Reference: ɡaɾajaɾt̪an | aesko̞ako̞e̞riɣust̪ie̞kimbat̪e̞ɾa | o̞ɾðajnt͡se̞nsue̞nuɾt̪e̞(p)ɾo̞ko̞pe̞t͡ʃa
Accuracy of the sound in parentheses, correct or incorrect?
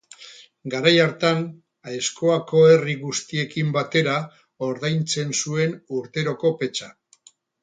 incorrect